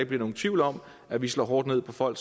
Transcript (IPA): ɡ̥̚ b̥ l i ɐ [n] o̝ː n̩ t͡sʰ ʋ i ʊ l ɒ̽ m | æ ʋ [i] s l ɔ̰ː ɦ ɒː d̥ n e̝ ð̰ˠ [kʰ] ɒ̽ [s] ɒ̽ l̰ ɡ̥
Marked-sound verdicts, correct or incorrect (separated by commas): correct, correct, incorrect, incorrect